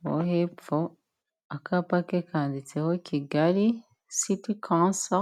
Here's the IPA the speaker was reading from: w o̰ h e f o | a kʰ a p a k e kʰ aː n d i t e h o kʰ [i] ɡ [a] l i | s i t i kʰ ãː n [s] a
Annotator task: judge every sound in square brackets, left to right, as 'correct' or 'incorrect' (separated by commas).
correct, correct, correct